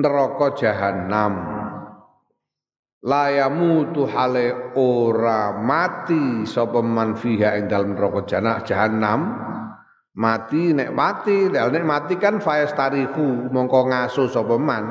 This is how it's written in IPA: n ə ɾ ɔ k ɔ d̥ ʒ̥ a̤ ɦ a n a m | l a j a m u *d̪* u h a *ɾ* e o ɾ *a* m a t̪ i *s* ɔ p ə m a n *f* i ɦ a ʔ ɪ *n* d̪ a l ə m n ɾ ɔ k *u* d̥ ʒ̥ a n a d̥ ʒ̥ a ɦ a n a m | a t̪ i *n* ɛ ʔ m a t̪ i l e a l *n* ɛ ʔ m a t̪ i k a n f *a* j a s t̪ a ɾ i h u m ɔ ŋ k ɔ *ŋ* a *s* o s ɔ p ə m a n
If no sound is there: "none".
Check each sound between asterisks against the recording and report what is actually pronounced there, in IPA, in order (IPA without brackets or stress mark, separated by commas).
t̪, l, a, s, f, ŋ, ɔ, n, n, a, ŋ, s